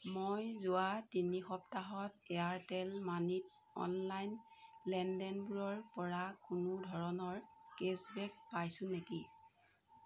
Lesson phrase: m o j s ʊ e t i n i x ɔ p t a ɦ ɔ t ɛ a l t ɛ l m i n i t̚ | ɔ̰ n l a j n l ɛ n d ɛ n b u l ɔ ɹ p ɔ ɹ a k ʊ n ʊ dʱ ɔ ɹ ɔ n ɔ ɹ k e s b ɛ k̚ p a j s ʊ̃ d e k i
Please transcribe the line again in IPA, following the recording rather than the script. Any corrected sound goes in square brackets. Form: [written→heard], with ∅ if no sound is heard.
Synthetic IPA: m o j [s→z] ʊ [e→a] t i n i x ɔ p t a ɦ ɔ t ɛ a [l→ɹ] t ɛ l m [i→a] n i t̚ | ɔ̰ n l a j n l ɛ n d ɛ n b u [l→ɹ] ɔ ɹ p ɔ ɹ a k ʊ n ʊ dʱ ɔ ɹ ɔ n ɔ ɹ k e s b ɛ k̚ p a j s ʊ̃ [d→n] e k i